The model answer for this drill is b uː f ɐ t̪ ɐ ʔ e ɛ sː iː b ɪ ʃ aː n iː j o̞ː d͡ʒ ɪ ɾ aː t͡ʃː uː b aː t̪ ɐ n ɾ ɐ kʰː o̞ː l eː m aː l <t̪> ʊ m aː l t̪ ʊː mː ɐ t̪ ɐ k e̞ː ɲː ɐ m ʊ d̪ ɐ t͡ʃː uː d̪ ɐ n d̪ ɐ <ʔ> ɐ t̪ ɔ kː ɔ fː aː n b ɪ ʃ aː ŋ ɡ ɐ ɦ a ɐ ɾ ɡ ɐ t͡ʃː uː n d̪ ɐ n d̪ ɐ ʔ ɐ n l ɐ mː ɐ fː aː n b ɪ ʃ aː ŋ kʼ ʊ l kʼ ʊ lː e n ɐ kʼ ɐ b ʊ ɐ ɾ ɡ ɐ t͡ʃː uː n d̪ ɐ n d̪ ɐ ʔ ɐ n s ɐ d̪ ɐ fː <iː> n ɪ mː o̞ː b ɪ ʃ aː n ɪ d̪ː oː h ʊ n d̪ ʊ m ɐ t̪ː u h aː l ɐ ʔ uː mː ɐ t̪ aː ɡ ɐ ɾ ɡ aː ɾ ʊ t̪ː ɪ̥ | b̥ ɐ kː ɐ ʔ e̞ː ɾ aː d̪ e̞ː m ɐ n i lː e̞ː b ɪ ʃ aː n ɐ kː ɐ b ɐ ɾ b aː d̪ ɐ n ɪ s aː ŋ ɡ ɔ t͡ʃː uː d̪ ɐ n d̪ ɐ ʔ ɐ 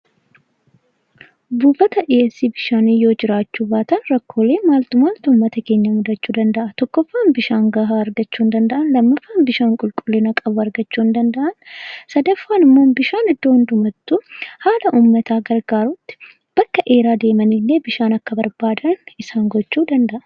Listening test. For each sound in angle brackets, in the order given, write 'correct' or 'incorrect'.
correct, correct, incorrect: aː

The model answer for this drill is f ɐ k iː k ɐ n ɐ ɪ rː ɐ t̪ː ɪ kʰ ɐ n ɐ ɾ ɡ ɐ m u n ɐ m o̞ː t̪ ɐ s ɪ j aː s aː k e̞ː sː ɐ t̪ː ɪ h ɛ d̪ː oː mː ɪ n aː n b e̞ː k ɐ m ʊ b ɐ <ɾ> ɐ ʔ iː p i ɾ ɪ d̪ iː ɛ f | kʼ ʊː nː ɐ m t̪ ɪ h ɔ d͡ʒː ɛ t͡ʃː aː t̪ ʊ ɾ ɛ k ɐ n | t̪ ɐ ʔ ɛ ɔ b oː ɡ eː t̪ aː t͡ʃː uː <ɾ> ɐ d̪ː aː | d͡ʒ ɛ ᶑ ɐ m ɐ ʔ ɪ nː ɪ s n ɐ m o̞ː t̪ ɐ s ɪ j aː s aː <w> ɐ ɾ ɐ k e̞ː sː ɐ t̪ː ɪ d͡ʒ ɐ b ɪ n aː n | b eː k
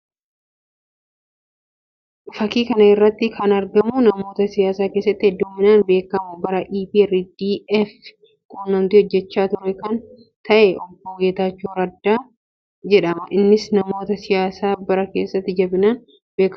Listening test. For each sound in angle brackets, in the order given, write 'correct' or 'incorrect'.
correct, correct, incorrect: b

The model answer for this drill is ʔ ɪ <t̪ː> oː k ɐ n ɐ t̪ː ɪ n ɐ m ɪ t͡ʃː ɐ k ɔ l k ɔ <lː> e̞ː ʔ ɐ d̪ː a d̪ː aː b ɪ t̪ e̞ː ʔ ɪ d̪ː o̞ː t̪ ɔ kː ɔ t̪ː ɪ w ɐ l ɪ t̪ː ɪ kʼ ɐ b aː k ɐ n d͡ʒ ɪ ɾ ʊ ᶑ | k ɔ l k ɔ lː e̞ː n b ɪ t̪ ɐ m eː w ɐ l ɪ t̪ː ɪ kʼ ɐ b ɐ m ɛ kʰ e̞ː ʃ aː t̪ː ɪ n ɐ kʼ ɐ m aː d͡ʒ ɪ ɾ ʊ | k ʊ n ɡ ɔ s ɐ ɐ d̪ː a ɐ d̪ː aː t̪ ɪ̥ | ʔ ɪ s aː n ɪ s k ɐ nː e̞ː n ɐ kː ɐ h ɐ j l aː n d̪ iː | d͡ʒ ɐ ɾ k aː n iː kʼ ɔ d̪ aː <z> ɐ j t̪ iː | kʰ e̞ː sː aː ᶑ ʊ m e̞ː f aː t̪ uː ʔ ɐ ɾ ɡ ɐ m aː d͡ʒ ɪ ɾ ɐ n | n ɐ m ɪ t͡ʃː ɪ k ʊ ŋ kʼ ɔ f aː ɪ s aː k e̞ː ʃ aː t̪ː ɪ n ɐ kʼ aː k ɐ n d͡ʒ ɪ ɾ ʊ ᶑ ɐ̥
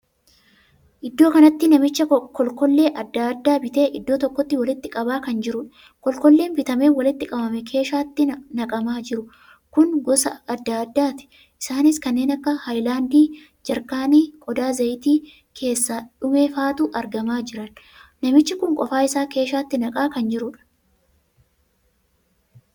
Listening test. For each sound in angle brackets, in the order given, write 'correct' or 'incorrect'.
incorrect: d̪ː, correct, correct

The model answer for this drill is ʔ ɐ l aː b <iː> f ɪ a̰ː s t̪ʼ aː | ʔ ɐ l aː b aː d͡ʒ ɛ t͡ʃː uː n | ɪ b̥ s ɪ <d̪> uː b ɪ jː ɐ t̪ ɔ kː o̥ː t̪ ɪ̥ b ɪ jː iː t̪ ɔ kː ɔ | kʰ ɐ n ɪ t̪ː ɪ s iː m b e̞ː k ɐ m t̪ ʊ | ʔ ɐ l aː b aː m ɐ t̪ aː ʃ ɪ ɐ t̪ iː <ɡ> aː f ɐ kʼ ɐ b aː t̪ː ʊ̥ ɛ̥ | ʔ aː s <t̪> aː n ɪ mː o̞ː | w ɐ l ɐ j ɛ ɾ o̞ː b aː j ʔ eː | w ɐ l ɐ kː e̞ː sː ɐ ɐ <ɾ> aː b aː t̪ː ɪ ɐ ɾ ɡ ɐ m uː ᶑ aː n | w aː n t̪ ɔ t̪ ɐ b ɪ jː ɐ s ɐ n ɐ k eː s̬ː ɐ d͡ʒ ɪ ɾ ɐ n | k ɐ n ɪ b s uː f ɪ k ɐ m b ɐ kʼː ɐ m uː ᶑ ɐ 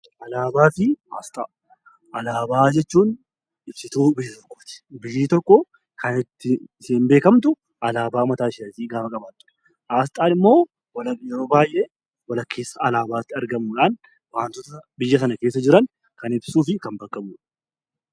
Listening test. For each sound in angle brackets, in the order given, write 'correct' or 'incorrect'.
incorrect: aː, incorrect: t̪, correct, incorrect: t̪ʼ, incorrect: l

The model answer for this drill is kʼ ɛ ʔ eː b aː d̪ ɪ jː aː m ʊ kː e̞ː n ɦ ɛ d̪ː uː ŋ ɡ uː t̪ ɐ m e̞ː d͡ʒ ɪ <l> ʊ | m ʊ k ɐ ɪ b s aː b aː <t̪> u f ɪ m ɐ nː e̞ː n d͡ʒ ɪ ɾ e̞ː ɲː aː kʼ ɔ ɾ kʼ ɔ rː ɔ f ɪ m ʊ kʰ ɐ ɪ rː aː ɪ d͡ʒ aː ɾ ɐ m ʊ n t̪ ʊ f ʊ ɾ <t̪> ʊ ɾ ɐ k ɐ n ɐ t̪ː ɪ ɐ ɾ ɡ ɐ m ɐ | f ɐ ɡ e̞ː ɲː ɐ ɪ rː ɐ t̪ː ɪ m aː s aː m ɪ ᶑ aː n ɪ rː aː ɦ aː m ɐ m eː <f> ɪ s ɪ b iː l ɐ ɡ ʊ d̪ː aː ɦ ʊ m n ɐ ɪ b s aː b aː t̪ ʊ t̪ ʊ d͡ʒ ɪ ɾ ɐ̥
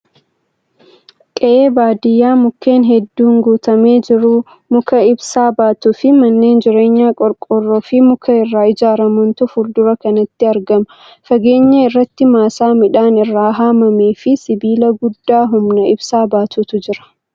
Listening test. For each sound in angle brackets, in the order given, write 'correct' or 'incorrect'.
incorrect: ɾ, correct, incorrect: d̪, correct

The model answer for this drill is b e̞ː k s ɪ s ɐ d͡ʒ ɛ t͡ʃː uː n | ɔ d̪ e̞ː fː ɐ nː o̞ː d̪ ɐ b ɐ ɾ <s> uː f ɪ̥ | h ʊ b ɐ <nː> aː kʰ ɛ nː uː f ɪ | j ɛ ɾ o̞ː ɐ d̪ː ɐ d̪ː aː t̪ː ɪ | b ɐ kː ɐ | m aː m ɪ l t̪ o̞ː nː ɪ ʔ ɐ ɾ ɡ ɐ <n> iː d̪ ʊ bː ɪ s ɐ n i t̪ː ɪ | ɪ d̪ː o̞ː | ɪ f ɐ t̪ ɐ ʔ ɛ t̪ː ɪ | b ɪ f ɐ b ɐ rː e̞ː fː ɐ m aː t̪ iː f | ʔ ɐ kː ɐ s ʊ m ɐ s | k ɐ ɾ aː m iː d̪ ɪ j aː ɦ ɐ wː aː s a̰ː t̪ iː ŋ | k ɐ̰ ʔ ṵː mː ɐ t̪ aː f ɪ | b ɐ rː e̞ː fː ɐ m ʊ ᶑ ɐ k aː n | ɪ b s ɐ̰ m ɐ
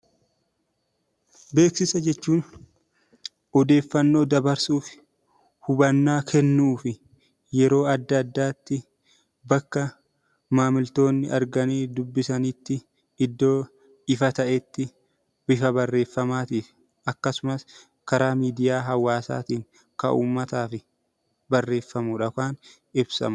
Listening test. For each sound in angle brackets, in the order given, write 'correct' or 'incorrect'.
correct, correct, correct

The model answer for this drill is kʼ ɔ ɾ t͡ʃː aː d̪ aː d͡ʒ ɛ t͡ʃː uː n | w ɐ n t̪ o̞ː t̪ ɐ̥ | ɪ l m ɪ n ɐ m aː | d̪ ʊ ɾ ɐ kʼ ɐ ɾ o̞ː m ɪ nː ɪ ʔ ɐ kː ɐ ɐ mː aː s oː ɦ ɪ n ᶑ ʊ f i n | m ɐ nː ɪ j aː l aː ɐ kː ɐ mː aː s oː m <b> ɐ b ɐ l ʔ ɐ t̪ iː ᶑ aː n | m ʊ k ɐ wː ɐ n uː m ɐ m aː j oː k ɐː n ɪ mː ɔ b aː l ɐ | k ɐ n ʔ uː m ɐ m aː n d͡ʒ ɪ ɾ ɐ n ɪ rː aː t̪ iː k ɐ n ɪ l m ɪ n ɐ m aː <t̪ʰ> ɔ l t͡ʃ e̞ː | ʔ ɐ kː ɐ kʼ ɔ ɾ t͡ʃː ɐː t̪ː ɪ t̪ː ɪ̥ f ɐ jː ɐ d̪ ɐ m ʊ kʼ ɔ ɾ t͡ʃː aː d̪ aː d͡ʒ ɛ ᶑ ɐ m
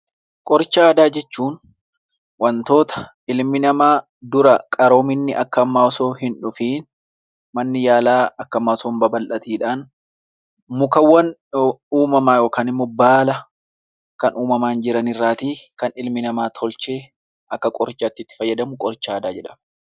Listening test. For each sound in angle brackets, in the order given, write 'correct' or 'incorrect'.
correct, correct

